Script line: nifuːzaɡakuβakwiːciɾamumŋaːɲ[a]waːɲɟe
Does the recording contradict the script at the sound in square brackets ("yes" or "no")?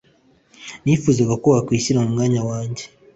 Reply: no